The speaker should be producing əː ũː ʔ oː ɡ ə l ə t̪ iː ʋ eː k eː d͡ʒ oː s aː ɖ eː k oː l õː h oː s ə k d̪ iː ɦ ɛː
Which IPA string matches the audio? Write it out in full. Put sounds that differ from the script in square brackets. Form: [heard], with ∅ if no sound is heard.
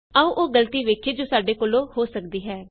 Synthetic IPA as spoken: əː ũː ʔ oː ɡ ə l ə t̪ iː ʋ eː [kʰ] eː d͡ʒ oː s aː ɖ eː k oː l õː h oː s ə k d̪ iː ɦ ɛː